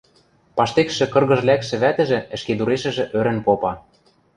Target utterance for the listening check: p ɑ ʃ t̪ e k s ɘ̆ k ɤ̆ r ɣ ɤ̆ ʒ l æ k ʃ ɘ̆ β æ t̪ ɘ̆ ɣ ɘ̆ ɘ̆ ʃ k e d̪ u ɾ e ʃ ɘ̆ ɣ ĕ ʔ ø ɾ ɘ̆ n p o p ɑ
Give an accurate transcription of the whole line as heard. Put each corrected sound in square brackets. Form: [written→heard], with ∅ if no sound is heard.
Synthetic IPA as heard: p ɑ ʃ t̪ e k [s→ʃ] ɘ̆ k ɤ̆ r ɣ ɤ̆ ʒ l æ k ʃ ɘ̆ β æ t̪ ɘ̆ [ɣ→ʒ] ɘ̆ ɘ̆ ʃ k e d̪ u ɾ e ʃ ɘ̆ [ɣ→ʒ] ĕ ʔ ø ɾ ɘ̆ n p o p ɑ

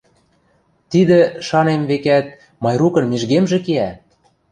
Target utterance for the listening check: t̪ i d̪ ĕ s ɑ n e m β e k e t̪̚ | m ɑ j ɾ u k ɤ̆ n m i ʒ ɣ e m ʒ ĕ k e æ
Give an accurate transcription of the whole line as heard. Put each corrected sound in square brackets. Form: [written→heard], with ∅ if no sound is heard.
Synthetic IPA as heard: t̪ i d̪ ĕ [s→ʃ] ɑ n e m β e k [e→æ] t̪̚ | m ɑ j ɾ u k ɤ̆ n m i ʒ ɣ e m ʒ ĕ k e æ

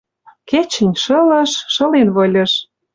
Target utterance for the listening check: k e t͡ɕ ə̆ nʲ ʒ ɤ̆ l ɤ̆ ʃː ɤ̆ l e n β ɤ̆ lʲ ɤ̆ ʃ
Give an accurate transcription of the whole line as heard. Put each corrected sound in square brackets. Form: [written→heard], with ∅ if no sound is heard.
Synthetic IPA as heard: k e t͡ɕ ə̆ nʲ [ʒ→ʃ] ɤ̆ l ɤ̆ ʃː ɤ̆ l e n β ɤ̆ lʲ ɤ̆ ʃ

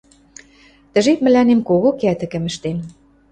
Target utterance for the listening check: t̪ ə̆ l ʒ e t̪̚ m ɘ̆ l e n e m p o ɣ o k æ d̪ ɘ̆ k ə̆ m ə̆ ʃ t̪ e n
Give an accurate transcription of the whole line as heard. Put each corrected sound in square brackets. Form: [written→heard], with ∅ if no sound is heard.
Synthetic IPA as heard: t̪ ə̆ [l→∅] ʒ e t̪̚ m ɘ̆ l [e→æ] n e m [p→k] o ɣ o k æ [d̪→t̪] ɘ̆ k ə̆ m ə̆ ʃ t̪ e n

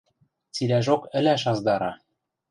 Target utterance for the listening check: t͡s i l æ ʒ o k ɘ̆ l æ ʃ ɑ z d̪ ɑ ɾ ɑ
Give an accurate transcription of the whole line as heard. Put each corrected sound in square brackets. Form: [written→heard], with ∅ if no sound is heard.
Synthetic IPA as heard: t͡s i l æ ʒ o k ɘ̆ l æ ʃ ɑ z d̪ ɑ ɾ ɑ

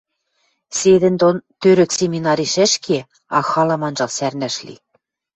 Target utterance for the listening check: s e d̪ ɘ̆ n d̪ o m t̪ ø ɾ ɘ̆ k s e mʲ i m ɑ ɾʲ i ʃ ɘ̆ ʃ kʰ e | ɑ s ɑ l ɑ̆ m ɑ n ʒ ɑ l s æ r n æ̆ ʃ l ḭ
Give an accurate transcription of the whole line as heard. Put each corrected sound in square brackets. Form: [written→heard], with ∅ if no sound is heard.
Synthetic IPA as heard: s e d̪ ɘ̆ n d̪ o [m→n] t̪ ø ɾ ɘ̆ k s e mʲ i [m→n] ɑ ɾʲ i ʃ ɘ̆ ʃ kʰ e | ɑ [s→x] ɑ l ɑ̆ m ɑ n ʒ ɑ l s æ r n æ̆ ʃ l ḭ

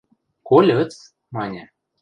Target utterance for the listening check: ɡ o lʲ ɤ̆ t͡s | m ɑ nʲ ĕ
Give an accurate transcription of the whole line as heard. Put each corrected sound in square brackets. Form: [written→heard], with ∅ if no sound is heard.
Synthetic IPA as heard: [ɡ→k] o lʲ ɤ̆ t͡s | m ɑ nʲ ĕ

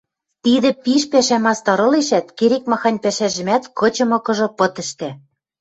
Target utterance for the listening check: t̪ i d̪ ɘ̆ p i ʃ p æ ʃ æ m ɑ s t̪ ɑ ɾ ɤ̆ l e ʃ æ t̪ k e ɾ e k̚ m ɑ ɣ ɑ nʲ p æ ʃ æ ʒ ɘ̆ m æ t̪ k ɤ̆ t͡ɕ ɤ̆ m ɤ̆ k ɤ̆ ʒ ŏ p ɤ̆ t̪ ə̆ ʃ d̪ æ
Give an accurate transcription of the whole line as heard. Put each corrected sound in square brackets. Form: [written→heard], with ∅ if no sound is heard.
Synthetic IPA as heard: t̪ i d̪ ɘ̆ p i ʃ p æ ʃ æ m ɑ s t̪ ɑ ɾ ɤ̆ l e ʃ æ t̪ k e ɾ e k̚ m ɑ [ɣ→x] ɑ nʲ p æ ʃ æ ʒ ɘ̆ m æ t̪ k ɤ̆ t͡ɕ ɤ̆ m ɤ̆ k ɤ̆ ʒ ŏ p ɤ̆ t̪ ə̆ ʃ [d̪→t̪] æ

